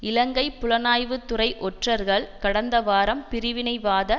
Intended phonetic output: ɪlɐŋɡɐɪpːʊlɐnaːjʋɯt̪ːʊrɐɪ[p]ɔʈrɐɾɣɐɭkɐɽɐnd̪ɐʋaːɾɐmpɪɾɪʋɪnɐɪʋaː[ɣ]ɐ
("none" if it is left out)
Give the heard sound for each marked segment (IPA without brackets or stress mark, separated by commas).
ʔ, ð